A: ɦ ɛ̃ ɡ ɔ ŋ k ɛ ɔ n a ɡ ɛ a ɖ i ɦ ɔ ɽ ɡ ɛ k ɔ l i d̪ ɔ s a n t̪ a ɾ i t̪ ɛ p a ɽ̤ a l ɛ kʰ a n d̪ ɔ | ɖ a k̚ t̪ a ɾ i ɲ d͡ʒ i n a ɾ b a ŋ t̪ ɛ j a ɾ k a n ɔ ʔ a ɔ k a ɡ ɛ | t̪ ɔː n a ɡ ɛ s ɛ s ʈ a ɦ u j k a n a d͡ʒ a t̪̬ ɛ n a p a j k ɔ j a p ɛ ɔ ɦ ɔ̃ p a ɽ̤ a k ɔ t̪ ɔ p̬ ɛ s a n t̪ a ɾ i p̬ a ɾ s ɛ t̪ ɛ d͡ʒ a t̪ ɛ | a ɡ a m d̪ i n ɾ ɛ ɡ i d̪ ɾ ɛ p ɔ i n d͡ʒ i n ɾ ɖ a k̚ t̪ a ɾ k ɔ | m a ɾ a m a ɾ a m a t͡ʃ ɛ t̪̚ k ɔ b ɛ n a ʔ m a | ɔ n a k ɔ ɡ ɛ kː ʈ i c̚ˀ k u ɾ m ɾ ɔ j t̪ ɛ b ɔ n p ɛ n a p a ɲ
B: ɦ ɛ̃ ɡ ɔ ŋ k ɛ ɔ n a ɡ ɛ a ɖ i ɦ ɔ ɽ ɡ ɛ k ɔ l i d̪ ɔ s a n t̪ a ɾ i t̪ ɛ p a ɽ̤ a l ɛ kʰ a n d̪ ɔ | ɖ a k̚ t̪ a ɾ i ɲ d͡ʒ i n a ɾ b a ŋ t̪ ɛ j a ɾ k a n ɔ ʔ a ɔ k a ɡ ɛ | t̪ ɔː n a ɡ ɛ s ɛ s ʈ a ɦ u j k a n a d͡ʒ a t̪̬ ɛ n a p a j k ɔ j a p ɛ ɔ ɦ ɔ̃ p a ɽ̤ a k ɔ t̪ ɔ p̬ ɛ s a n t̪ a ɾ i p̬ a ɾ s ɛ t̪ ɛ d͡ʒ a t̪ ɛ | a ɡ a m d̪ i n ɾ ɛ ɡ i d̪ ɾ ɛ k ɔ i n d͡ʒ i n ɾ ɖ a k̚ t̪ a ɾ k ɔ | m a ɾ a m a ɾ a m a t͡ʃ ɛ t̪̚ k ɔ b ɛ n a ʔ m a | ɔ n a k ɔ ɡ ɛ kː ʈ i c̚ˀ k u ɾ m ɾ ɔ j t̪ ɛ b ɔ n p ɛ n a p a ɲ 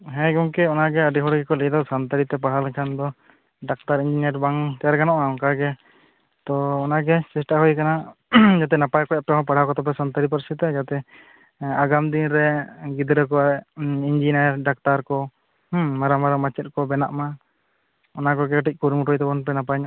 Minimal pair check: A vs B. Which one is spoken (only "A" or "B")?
B